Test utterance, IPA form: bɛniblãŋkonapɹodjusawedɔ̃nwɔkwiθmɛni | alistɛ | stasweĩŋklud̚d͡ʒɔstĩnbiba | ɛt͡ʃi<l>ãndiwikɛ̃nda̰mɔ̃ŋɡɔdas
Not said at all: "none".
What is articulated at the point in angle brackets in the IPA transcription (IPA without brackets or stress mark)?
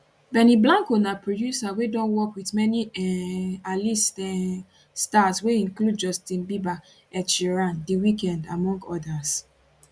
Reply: ɹ